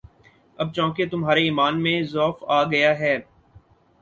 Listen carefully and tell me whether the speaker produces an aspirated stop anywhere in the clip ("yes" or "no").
no